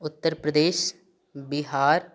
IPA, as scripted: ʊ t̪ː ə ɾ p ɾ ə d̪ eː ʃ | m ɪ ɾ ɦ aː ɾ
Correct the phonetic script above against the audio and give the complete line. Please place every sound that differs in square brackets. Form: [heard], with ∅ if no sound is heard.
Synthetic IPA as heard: ʊ t̪ː ə ɾ p ɾ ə d̪ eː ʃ | [b] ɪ [∅] ɦ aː ɾ